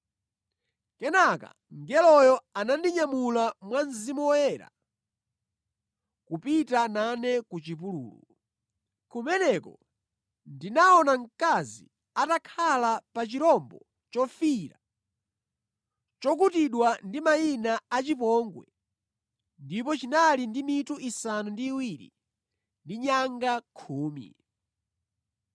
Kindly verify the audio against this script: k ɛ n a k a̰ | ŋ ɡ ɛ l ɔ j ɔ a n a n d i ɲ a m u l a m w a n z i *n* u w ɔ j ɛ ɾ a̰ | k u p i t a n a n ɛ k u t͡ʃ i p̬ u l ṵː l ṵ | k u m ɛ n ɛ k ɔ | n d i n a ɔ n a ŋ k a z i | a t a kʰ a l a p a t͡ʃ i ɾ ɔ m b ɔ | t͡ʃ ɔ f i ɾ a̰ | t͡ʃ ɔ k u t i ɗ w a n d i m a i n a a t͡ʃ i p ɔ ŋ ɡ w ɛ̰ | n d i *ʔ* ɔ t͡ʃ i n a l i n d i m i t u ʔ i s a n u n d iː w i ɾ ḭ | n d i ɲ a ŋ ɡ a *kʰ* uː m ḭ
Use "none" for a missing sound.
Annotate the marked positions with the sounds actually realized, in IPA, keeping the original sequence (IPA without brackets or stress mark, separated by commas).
m, p, kʰ